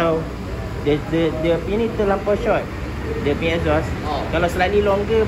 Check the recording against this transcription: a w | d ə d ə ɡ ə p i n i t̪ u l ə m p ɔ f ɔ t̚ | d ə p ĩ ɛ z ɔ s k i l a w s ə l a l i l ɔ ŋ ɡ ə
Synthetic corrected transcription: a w | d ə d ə d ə p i n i t̪ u l a m p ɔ ʃ ɔ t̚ | d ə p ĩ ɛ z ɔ s k a l a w s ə l a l i l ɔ ŋ ɡ ə